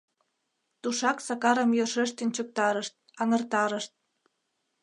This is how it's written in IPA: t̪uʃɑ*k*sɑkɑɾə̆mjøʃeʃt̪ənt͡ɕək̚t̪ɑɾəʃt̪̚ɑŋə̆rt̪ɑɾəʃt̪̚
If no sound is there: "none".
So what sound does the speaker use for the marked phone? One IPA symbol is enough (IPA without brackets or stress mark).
k